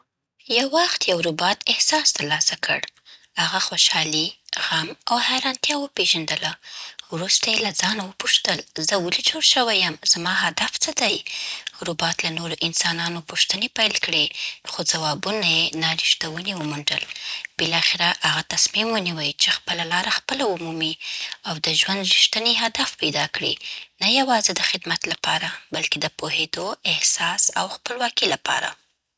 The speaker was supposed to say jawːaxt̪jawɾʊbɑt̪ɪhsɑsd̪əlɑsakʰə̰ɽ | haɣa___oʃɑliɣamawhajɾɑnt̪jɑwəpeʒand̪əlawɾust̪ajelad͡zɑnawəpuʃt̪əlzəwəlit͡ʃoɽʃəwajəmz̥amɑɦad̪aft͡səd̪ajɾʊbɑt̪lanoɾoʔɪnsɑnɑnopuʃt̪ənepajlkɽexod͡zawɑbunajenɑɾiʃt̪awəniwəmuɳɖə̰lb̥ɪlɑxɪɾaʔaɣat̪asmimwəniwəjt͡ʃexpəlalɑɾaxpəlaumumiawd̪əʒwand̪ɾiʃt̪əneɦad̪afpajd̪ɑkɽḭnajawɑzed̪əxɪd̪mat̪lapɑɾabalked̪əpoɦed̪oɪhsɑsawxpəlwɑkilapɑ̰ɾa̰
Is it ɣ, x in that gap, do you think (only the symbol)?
x